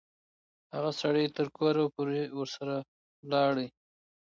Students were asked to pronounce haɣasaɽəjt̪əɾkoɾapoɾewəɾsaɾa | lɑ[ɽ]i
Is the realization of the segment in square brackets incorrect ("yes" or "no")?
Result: no